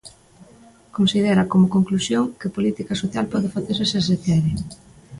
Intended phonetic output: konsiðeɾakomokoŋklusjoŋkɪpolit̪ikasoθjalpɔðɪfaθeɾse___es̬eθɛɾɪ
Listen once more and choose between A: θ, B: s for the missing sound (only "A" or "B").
B